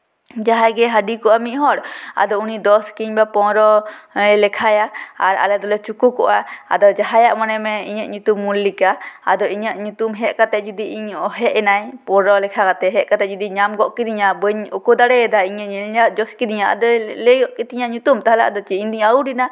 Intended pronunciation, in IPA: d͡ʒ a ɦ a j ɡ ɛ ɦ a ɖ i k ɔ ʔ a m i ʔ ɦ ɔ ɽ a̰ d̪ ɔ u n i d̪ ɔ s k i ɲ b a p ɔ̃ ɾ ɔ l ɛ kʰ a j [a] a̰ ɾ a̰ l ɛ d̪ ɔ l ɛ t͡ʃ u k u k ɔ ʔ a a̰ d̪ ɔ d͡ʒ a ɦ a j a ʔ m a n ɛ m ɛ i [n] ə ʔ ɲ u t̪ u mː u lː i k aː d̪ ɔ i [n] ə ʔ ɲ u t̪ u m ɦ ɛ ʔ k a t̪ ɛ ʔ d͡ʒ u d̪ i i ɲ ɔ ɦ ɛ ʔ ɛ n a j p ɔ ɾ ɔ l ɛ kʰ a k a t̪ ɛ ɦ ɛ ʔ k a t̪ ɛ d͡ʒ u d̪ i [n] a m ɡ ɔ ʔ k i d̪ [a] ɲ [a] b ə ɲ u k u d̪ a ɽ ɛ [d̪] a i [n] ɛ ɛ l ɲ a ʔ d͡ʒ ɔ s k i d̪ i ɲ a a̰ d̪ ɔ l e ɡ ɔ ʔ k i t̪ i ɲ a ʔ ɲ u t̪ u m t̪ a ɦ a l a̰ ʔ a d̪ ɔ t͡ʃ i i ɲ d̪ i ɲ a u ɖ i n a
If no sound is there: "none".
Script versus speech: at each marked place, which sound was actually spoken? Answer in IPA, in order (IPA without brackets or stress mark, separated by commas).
a, ɲ, ɲ, ɲ, i, a, d̪, ɲ